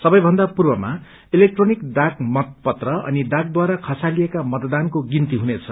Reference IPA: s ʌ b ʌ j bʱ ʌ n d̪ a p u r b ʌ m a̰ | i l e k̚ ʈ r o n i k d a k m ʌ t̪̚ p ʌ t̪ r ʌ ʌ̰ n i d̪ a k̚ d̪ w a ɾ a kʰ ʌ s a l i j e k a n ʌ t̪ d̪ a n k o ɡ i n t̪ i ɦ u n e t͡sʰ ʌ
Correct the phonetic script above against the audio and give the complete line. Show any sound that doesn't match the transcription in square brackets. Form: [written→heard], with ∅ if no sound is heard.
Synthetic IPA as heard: s ʌ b ʌ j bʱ ʌ n d̪ a p u r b ʌ m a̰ | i l e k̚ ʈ r o n i k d a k m ʌ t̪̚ p ʌ t̪ r ʌ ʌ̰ n i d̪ a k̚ d̪ w a ɾ a kʰ ʌ s a l i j e k a [n→m] ʌ t̪ d̪ a n k o ɡ i n t̪ i ɦ u n e t͡sʰ ʌ